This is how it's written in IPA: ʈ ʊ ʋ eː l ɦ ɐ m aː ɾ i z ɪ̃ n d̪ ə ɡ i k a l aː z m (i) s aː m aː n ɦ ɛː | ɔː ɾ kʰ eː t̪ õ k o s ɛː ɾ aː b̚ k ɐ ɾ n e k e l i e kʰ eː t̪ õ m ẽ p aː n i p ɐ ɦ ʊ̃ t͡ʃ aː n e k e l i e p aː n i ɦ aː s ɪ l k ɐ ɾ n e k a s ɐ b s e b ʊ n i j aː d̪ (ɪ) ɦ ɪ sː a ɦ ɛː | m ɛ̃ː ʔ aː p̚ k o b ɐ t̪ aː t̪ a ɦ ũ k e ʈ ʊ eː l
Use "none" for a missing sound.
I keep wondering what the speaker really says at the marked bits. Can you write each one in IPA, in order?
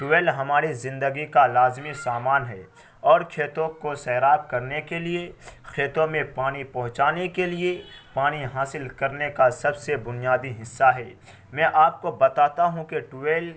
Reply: i, i

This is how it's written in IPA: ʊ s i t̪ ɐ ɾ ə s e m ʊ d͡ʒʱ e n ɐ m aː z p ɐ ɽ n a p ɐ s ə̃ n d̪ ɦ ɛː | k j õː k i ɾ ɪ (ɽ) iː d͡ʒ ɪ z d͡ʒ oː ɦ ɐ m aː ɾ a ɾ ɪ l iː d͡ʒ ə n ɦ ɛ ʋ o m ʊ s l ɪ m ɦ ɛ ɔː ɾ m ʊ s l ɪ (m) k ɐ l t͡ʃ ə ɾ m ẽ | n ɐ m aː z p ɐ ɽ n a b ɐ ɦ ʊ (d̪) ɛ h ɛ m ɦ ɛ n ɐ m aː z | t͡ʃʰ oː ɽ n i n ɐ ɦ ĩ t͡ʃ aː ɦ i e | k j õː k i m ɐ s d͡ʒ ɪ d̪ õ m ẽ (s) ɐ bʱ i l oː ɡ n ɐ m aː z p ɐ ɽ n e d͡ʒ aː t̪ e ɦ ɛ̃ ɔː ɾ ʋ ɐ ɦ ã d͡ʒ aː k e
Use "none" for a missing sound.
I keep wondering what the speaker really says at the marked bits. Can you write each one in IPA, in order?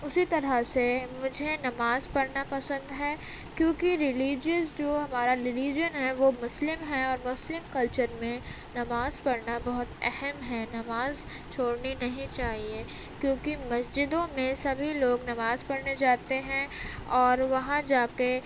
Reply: l, m, t̪, s

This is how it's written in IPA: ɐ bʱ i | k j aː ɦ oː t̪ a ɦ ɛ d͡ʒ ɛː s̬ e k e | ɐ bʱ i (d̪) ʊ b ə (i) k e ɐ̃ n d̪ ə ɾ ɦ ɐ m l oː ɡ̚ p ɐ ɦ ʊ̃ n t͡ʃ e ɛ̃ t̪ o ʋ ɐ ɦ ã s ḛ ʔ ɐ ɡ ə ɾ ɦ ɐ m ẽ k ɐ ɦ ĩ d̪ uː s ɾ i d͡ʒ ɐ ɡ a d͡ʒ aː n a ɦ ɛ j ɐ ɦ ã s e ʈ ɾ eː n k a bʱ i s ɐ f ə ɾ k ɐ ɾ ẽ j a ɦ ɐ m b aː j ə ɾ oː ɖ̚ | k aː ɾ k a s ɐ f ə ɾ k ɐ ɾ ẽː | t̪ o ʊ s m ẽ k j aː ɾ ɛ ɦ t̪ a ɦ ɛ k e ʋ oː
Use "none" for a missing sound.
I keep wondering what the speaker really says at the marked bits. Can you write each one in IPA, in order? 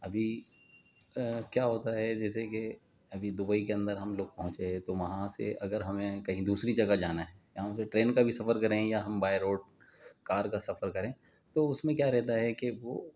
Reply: d̪, i

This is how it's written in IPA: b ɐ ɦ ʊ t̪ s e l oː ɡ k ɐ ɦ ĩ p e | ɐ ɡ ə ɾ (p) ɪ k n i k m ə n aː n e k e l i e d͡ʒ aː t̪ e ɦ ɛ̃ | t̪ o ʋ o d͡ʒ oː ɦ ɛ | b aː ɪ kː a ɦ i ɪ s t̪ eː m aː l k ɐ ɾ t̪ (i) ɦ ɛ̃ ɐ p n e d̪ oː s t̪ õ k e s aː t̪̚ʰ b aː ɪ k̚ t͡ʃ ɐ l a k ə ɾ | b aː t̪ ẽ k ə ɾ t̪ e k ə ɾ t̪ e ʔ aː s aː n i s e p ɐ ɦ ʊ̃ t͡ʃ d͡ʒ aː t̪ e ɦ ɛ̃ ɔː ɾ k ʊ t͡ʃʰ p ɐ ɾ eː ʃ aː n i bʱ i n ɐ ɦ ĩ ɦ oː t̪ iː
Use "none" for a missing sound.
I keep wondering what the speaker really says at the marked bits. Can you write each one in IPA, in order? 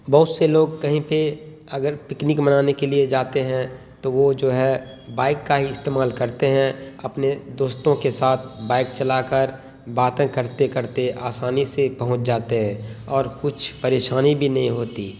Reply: p, e

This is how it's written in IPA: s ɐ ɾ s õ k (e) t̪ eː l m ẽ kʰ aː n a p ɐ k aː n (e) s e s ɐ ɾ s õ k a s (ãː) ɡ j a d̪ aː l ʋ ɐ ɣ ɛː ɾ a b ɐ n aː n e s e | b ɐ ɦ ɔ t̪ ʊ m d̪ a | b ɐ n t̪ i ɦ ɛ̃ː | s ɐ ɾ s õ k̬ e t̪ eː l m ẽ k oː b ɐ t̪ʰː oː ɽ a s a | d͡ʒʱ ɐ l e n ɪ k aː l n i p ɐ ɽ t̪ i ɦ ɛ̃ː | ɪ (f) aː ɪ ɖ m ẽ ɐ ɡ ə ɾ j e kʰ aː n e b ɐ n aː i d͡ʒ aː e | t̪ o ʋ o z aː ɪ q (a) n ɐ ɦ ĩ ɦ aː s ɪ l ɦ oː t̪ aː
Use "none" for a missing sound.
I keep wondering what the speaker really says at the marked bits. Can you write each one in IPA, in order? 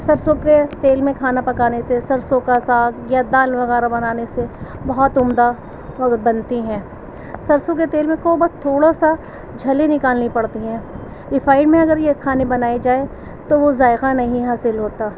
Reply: e, e, aː, f, a

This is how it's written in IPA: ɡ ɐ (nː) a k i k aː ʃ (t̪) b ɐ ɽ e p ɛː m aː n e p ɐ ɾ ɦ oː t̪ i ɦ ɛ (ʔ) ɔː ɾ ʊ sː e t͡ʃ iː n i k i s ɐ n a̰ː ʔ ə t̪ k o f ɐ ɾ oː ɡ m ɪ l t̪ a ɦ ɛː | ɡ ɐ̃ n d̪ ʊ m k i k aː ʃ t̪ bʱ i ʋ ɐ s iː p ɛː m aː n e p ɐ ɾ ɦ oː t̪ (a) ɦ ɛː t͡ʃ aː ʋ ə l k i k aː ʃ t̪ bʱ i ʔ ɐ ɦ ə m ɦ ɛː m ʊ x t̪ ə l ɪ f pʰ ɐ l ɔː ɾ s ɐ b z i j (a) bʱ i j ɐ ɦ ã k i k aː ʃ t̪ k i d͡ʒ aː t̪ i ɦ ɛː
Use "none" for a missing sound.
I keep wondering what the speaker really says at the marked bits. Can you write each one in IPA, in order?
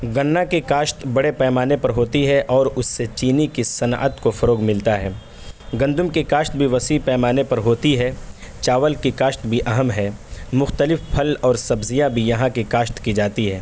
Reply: nː, t̪, ʔ, i, a

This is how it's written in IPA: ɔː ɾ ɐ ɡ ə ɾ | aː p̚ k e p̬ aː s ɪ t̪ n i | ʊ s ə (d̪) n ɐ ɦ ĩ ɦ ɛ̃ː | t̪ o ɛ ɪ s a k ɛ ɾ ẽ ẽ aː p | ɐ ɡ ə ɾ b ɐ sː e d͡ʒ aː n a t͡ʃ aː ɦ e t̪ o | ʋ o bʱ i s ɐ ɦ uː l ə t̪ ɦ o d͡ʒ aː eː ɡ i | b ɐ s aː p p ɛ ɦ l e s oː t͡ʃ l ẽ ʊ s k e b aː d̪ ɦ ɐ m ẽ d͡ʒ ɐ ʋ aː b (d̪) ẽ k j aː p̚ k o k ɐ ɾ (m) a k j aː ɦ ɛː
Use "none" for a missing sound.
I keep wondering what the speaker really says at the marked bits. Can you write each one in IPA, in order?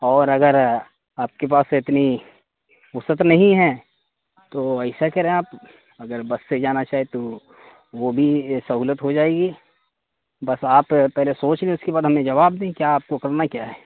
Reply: t̪, d̪, n

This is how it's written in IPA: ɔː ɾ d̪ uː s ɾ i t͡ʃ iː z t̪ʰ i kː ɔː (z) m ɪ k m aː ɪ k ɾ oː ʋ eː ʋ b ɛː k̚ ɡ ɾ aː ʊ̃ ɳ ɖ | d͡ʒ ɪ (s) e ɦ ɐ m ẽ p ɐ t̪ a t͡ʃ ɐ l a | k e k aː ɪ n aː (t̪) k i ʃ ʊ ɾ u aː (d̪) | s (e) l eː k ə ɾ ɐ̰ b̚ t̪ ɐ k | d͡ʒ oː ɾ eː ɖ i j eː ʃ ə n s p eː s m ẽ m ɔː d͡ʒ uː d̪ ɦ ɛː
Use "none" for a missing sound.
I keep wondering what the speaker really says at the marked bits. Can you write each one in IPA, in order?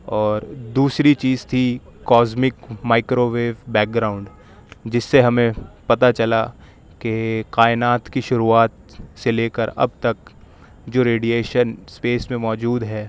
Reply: z, sː, t̪, t̪, e

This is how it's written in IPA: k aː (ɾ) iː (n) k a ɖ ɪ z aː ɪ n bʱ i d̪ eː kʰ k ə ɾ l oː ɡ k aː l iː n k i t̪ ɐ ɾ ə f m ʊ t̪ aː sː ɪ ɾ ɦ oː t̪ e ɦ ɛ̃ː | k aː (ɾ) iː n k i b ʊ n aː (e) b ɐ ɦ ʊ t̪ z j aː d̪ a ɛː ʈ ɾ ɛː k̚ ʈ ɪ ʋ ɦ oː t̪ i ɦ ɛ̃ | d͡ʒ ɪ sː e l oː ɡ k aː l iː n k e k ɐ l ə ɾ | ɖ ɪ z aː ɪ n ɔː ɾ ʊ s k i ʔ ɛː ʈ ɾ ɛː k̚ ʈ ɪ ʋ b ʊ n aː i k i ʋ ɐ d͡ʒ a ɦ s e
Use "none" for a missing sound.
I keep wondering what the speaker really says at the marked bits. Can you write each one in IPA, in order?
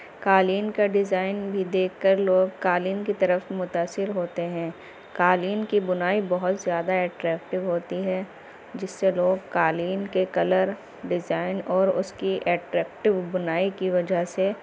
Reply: l, n, l, i

